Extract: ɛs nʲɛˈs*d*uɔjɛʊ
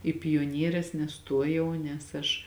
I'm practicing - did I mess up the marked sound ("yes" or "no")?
yes